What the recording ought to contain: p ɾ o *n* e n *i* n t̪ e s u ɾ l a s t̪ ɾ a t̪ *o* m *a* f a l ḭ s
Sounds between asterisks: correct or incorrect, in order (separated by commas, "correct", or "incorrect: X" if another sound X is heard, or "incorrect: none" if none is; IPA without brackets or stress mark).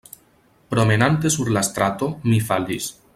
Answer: incorrect: m, incorrect: a, correct, incorrect: i